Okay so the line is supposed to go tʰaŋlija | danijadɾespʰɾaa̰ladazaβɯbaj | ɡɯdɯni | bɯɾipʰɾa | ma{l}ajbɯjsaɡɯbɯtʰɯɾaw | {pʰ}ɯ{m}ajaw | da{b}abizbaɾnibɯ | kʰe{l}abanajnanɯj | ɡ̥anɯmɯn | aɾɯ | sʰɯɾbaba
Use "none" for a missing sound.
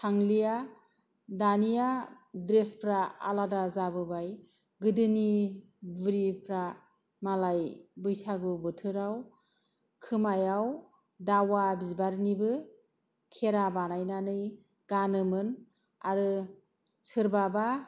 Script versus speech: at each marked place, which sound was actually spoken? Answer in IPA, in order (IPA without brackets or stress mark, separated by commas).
l, kʰ, m, w, ɾ